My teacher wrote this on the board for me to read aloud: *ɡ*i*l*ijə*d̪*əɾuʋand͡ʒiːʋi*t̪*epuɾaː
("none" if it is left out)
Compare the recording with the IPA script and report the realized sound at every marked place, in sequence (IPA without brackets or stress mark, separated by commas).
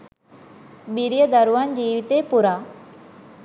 b, ɾ, d̪, t̪